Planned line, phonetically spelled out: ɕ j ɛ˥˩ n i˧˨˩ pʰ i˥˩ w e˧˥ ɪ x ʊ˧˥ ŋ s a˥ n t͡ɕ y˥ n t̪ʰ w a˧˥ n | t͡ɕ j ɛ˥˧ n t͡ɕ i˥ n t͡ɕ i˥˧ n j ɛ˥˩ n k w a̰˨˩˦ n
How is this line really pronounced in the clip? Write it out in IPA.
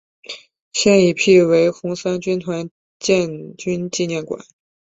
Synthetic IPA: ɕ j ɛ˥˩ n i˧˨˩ pʰ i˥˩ w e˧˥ ɪ x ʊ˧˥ ŋ s a˥ n t͡ɕ y˥ n t̪ʰ w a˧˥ n | t͡ɕ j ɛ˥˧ n t͡ɕ y˥ n t͡ɕ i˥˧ n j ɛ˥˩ n k w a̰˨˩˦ n